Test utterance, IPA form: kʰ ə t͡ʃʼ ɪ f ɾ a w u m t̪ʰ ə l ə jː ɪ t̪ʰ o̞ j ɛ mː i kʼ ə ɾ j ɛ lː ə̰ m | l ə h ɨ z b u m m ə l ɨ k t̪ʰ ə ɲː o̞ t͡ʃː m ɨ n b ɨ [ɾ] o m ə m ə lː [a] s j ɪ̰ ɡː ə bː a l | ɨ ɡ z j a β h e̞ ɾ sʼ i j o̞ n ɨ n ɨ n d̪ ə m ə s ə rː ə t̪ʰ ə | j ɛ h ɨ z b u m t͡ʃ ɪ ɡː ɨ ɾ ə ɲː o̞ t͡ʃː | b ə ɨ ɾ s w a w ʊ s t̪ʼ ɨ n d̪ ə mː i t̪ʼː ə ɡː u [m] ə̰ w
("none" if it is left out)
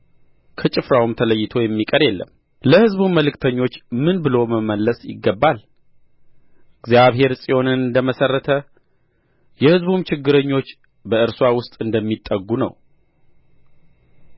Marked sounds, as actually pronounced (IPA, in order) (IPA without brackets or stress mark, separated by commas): l, ə, n